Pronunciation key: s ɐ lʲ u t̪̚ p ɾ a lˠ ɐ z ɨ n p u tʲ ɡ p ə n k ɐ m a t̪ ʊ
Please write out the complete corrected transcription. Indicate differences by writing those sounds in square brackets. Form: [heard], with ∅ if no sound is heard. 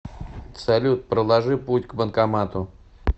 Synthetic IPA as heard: s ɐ lʲ u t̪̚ p ɾ [ə] lˠ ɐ [ʐ] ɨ [∅] p u tʲ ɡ [b] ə n k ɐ m a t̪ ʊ